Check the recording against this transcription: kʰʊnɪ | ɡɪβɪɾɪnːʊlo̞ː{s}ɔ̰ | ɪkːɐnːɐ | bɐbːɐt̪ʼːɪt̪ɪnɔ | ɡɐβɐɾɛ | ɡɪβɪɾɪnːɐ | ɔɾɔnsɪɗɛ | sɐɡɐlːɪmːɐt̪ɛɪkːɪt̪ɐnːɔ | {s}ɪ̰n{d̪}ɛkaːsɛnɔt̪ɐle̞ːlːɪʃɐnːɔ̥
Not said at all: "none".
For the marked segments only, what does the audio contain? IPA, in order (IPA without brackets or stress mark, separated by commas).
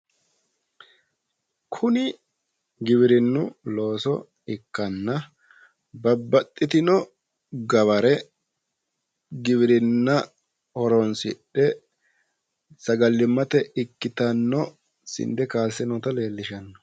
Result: s, s, d̪